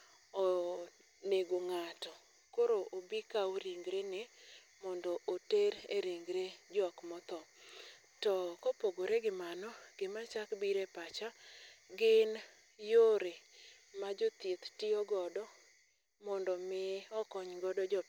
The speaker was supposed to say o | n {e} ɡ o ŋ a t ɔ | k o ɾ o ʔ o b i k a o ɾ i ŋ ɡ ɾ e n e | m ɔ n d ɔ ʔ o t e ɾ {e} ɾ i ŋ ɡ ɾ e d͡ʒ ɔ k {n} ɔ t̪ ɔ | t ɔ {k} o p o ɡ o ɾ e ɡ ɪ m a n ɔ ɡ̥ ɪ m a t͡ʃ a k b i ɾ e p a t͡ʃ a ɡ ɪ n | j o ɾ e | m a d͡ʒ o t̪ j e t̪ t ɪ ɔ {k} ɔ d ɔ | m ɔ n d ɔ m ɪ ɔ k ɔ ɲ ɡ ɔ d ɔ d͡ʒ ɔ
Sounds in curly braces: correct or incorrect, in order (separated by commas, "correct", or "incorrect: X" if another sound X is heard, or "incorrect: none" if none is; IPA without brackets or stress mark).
correct, correct, incorrect: m, correct, incorrect: ɡ